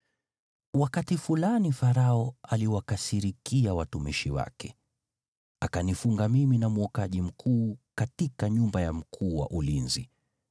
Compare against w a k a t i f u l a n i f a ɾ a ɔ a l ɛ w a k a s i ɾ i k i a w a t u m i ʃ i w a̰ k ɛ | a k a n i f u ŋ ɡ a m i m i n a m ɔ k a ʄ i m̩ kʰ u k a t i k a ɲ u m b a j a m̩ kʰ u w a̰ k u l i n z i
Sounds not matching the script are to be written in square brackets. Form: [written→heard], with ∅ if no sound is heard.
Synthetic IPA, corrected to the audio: w a k a t i f u l a n i f a ɾ a ɔ a l [ɛ→i] w a k a s i ɾ i k i a w a t u m i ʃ i w a̰ k ɛ | a k a n i f u ŋ ɡ a m i m i n a m ɔ k a ʄ i m̩ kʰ [u→uː] k a t i k a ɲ u m b a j a m̩ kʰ [u→uː] w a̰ [k→ʔ] u l i n z i